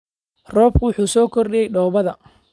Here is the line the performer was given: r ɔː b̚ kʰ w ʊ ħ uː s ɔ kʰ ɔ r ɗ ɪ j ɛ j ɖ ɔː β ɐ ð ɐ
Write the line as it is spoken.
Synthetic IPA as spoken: r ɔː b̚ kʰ w ʊ ħ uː s ɔː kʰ ɔ r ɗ ɪ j ɛ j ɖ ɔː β ɐ ð ɐ